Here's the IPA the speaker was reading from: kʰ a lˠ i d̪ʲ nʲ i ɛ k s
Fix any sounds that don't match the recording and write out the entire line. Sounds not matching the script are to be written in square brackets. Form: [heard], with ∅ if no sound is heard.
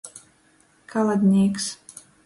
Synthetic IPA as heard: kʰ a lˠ [a] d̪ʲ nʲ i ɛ k s